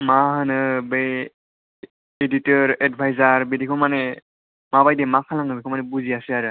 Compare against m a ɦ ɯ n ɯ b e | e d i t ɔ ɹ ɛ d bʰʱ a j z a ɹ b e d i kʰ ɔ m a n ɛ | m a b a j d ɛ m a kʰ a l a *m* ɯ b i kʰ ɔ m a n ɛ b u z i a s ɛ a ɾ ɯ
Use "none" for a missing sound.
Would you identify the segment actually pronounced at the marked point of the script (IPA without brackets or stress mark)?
ŋ